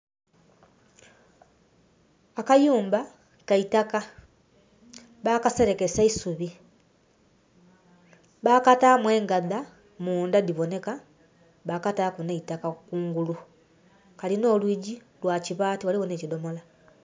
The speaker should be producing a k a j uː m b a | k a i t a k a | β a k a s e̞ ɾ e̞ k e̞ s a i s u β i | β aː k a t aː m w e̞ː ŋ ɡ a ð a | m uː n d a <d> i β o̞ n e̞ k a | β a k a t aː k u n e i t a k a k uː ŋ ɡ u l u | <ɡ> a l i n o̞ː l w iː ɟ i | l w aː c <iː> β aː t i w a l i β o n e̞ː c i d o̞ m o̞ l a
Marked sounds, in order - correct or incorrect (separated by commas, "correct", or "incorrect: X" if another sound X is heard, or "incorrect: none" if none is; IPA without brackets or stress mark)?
correct, incorrect: k, incorrect: i